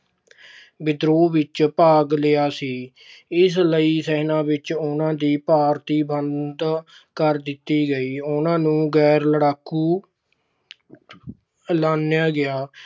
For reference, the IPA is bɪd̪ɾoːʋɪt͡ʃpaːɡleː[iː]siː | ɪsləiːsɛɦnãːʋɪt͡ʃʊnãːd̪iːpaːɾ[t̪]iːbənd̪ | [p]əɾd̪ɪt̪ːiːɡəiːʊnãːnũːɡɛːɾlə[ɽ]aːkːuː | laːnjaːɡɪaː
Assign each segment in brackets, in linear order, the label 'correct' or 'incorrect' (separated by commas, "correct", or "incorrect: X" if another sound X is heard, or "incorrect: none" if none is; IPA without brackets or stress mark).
incorrect: aː, correct, incorrect: k, correct